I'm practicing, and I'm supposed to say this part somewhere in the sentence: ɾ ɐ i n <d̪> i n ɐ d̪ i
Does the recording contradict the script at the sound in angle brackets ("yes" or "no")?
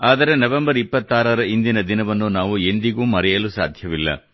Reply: no